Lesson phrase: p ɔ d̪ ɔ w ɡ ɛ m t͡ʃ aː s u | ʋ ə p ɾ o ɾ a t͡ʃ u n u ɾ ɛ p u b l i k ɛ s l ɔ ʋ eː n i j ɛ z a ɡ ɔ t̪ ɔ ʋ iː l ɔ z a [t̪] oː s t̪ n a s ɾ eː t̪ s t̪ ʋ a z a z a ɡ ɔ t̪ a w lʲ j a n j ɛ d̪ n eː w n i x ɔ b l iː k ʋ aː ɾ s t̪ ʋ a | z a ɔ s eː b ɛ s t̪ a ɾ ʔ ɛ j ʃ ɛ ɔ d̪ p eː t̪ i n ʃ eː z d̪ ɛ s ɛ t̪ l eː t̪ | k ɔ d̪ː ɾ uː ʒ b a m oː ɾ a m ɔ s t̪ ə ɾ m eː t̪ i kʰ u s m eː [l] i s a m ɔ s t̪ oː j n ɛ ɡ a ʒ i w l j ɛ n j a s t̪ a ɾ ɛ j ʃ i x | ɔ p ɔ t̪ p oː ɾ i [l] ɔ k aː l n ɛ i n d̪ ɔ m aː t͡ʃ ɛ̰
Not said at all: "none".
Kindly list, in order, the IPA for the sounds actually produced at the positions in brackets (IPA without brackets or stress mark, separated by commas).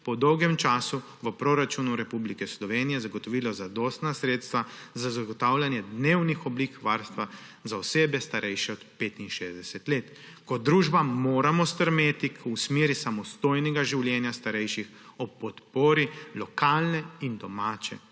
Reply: d̪, ɾ, l